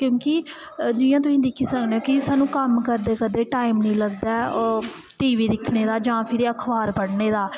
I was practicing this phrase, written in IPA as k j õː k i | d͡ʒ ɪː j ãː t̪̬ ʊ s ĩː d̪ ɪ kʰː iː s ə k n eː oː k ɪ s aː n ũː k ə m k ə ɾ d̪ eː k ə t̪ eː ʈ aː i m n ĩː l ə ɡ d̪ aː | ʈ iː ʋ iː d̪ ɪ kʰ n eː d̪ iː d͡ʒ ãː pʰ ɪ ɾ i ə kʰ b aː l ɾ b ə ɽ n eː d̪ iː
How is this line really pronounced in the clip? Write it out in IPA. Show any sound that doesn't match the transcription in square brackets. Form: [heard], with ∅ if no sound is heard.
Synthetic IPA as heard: k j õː k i | d͡ʒ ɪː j ãː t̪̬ ʊ s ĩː d̪ ɪ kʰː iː s ə k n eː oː k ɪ s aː n ũː k ə m k ə ɾ d̪ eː k ə [d̪] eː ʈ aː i m n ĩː l ə ɡ d̪ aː | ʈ iː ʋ iː d̪ ɪ kʰ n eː d̪ [aː] d͡ʒ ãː pʰ ɪ ɾ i ə kʰ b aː [∅] ɾ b ə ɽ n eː d̪ [aː]